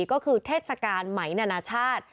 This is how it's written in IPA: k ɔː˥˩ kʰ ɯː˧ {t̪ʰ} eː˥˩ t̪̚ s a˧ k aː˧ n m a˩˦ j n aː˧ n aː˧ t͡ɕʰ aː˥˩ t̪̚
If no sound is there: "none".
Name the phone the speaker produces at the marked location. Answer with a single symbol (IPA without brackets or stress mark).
t̪ʰ